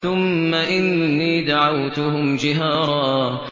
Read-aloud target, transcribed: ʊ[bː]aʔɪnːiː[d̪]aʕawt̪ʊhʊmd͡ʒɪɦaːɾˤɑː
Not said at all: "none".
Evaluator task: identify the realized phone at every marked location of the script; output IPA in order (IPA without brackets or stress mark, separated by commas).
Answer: mː, d̪